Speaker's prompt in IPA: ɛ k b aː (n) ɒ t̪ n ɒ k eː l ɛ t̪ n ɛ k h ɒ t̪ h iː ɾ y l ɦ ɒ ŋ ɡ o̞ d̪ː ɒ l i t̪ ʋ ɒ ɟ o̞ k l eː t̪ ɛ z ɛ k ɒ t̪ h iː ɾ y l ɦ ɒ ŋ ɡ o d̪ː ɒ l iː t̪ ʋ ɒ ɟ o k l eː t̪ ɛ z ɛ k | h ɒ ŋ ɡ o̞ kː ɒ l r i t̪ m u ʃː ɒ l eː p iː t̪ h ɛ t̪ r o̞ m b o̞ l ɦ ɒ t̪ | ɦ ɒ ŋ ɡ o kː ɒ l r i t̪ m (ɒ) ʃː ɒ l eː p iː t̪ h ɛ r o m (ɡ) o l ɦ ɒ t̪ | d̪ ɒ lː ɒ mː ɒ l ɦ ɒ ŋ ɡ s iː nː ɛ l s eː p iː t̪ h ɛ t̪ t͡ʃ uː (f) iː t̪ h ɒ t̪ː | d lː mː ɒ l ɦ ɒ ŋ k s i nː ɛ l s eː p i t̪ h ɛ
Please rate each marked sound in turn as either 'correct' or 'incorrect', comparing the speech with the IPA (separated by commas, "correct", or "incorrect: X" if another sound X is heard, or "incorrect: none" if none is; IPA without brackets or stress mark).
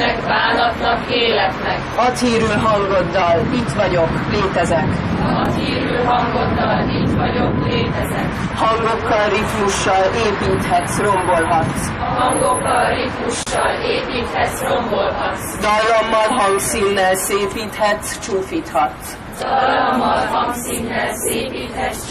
correct, incorrect: u, incorrect: b, correct